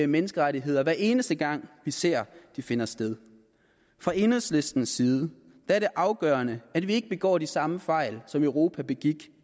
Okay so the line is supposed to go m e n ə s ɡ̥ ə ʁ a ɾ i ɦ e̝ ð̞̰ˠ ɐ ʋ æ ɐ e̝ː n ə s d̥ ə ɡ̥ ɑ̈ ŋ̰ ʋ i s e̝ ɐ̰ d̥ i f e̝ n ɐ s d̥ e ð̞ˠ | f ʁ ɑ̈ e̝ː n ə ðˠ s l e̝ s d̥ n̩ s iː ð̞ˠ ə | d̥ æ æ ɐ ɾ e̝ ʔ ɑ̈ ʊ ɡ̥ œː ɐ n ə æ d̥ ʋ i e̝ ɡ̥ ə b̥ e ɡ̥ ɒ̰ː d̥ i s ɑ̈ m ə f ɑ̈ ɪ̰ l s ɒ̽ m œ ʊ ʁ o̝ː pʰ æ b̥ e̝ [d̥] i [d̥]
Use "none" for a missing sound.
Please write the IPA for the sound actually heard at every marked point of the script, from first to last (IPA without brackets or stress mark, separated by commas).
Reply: ɡ̥, ɡ̥